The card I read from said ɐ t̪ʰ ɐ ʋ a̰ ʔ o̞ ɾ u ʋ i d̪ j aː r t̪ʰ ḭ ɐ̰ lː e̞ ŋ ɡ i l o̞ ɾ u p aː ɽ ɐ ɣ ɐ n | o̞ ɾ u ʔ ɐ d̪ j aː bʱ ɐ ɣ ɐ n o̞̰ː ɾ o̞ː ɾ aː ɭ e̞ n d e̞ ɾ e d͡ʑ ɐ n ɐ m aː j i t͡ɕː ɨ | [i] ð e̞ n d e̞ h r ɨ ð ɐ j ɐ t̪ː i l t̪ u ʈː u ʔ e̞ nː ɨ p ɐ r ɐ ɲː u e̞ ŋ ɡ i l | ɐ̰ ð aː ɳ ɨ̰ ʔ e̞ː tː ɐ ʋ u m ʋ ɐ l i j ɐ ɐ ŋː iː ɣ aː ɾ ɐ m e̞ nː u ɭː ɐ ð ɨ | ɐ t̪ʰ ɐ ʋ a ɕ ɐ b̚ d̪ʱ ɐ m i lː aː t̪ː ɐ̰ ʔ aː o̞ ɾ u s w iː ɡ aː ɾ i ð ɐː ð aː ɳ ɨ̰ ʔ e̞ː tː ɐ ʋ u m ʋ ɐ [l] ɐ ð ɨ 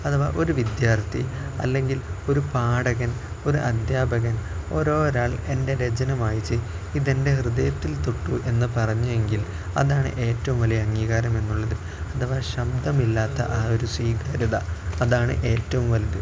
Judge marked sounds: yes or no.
yes, yes

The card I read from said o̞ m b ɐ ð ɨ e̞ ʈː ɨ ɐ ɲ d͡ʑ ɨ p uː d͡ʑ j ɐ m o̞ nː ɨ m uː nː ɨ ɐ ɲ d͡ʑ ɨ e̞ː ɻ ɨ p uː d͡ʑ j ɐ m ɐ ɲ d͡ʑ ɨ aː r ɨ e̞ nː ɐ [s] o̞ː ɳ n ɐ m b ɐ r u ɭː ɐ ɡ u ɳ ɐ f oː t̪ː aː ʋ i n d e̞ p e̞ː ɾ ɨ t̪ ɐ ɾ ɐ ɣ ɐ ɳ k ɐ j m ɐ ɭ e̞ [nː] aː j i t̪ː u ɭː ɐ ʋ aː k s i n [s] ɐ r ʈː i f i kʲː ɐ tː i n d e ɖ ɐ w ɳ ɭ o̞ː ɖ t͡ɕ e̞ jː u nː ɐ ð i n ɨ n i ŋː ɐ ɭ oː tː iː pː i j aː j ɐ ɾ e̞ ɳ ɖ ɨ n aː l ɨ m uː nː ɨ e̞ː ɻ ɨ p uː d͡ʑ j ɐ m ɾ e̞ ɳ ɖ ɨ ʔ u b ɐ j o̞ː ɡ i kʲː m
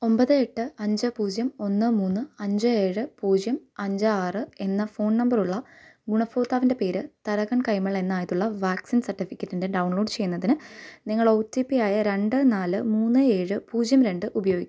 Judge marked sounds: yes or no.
no, yes, yes

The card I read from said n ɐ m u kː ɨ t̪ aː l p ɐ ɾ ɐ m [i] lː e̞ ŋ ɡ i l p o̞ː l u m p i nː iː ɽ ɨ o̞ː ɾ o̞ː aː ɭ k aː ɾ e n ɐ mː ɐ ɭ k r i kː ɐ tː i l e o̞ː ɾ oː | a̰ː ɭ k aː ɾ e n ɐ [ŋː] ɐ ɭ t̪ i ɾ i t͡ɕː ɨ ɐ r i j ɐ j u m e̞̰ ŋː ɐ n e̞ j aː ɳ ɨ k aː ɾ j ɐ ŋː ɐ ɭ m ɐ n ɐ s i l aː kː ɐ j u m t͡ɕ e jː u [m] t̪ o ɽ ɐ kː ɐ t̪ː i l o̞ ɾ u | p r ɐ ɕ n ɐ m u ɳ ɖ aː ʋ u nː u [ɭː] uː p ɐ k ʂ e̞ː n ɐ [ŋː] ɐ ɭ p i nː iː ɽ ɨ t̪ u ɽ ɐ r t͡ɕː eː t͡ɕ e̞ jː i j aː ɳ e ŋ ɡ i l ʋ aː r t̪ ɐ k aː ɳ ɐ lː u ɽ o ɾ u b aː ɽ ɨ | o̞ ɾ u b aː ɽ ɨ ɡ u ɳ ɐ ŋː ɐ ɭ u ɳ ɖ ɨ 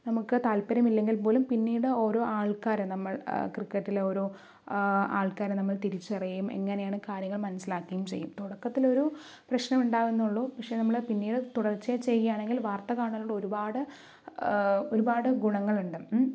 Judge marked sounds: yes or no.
yes, no, yes, yes, no

